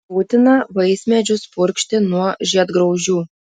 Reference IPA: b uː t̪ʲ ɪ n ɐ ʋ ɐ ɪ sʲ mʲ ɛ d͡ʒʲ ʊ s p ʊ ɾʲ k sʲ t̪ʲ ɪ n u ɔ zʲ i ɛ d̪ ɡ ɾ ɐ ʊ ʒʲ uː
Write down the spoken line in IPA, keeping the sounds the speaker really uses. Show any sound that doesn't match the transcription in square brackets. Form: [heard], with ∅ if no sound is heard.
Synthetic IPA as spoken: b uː t̪ʲ ɪ n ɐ ʋ ɐ ɪ sʲ mʲ ɛ d͡ʒʲ ʊ s p ʊ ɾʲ k [ʃʲ] t̪ʲ ɪ n u ɔ [ʒʲ] i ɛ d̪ ɡ ɾ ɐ ʊ ʒʲ uː

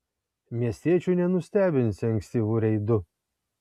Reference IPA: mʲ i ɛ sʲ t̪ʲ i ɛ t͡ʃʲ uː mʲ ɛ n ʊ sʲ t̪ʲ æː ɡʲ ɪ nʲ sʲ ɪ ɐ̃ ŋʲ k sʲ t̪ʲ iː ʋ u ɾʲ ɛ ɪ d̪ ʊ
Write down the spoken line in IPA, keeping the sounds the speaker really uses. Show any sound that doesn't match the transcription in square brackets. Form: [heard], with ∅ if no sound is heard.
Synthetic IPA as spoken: mʲ i ɛ sʲ t̪ʲ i ɛ t͡ʃʲ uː [nʲ] ɛ n ʊ sʲ t̪ʲ æː [bʲ] ɪ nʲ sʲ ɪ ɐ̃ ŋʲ k sʲ t̪ʲ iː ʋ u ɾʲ ɛ ɪ d̪ ʊ

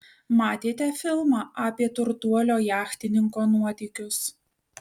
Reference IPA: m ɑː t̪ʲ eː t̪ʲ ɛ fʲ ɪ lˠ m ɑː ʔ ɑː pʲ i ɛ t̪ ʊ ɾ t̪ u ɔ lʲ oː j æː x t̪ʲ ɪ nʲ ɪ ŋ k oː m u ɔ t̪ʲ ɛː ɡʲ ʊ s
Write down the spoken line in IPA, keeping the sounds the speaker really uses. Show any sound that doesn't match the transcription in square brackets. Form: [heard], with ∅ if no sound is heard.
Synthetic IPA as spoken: m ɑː t̪ʲ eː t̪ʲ ɛ fʲ ɪ lˠ m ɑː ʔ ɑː pʲ i ɛ t̪ ʊ ɾ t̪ u ɔ lʲ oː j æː x t̪ʲ ɪ nʲ ɪ ŋ k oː [n] u ɔ t̪ʲ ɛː [kʲ] ʊ s

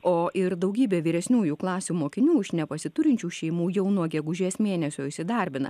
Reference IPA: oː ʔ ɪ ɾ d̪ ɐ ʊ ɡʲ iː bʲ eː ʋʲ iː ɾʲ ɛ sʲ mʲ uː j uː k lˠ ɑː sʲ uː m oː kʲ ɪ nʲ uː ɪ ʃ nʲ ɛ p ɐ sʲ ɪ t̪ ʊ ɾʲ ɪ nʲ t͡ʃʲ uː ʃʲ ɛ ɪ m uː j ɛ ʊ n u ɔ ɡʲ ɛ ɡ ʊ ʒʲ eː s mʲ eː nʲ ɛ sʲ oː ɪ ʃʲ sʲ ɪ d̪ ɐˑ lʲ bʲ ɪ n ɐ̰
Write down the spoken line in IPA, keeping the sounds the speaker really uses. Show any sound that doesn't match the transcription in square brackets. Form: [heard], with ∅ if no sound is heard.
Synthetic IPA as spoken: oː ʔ ɪ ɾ d̪ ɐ ʊ ɡʲ iː bʲ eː ʋʲ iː ɾʲ ɛ sʲ [nʲ] uː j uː k lˠ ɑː sʲ uː m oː kʲ ɪ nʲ uː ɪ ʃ nʲ ɛ p ɐ sʲ ɪ t̪ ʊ ɾʲ ɪ nʲ t͡ʃʲ uː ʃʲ ɛ ɪ m uː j ɛ ʊ n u ɔ ɡʲ ɛ ɡ ʊ ʒʲ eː s mʲ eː nʲ ɛ sʲ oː ɪ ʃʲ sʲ ɪ d̪ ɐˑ [ɾʲ] bʲ ɪ n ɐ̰

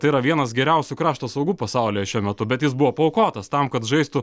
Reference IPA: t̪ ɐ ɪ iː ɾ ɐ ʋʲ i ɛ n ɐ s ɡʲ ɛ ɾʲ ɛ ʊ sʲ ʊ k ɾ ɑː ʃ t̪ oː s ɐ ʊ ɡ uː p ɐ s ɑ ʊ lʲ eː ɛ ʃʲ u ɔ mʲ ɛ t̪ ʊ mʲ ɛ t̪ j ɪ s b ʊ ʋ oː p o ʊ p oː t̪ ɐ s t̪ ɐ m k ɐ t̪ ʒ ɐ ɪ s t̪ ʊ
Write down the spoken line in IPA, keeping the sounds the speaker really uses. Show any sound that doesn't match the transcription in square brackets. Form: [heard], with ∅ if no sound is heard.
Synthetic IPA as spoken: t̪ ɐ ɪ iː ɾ ɐ ʋʲ i ɛ n ɐ s ɡʲ ɛ ɾʲ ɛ ʊ sʲ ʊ k ɾ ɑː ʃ t̪ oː s ɐ ʊ ɡ uː p ɐ s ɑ ʊ lʲ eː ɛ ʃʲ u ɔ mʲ ɛ t̪ ʊ [bʲ] ɛ t̪ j ɪ s b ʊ ʋ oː p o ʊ [k] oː t̪ ɐ s t̪ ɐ m k ɐ t̪ ʒ ɐ ɪ s t̪ ʊ

